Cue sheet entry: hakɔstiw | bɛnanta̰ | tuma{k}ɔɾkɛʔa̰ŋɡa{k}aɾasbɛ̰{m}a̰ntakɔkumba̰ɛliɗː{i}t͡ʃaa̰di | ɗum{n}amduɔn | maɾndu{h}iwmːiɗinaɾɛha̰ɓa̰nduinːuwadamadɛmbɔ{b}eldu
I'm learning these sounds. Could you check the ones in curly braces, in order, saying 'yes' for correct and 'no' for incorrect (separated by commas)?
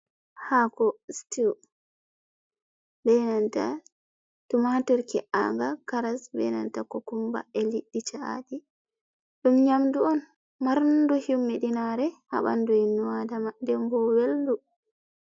no, yes, no, yes, no, yes, no